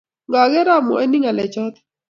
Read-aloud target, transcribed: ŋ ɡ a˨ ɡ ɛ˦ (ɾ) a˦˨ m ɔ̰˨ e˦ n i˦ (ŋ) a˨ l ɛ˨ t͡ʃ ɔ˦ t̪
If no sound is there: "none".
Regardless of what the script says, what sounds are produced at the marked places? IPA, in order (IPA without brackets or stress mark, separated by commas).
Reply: ɾ, ŋ